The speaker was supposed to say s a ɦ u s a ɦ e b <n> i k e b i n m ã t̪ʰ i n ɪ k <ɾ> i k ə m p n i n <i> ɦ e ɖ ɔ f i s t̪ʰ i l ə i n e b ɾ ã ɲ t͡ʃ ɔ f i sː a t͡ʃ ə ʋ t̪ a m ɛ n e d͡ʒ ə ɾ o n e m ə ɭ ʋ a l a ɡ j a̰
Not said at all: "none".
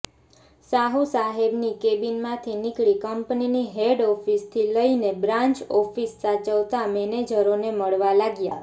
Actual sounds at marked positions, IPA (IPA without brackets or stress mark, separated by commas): n, ɭ, i